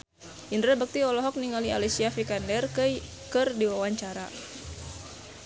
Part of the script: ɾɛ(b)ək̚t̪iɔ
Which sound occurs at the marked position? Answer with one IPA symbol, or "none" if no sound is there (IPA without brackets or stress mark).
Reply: b